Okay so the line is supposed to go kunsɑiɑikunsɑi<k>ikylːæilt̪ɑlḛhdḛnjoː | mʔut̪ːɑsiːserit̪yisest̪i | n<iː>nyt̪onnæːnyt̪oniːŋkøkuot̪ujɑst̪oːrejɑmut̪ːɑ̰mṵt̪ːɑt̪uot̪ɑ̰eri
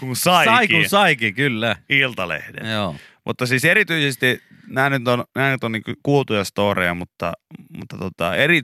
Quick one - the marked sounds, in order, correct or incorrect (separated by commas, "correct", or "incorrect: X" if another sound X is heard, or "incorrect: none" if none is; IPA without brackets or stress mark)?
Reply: correct, incorrect: æː